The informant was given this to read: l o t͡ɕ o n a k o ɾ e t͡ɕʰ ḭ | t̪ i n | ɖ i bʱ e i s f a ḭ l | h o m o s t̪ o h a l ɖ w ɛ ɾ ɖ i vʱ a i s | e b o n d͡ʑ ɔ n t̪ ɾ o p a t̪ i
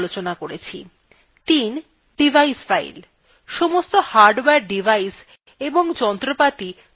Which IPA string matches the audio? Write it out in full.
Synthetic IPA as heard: l o t͡ɕ o n a k o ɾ e t͡ɕʰ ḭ | t̪ i n | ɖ i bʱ a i s f a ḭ l | ʃ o m o s t̪ o h a ɾ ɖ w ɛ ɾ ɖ i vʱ a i s | e b o ŋ d͡ʑ ɔ n t̪ ɾ o p a t̪ i